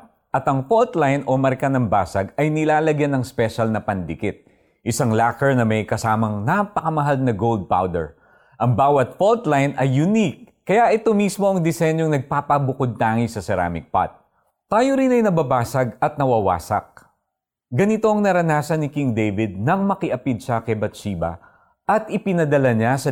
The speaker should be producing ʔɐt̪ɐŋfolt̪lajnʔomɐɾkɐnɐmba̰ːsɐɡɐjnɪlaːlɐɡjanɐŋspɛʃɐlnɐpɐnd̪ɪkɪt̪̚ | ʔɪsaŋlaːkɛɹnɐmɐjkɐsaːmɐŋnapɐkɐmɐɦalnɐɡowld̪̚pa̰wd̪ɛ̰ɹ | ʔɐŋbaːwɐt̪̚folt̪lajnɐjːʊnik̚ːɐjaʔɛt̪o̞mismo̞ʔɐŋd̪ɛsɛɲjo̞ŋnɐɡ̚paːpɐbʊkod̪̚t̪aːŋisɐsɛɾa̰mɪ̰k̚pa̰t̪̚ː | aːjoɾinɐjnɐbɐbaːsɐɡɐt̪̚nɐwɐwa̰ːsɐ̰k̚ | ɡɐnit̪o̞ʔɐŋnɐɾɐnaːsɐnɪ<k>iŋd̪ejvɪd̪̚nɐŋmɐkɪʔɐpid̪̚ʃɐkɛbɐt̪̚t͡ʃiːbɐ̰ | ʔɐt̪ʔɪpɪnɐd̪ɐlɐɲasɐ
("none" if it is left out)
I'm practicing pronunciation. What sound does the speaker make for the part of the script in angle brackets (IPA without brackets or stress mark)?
k